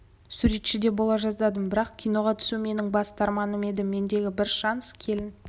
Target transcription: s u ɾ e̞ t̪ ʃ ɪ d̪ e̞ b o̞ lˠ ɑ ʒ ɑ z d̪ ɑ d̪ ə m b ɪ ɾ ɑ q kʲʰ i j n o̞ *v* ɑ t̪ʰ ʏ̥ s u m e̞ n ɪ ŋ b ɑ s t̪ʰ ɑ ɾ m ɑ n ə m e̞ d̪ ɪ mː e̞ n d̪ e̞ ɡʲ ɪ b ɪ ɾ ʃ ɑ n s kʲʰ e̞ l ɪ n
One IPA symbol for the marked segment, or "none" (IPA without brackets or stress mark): ʁ